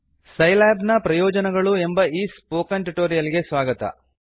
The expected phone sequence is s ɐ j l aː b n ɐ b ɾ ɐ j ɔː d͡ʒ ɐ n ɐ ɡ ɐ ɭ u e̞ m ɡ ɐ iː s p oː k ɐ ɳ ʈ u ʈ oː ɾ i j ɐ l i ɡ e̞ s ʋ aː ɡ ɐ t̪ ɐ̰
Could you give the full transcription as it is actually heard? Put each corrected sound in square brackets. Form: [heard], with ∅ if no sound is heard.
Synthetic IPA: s ɐ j l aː b n ɐ [p] ɾ ɐ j ɔː d͡ʒ ɐ n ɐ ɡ ɐ ɭ u e̞ m [b] ɐ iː s p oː k ɐ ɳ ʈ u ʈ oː ɾ i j ɐ l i ɡ e̞ s ʋ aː ɡ ɐ t̪ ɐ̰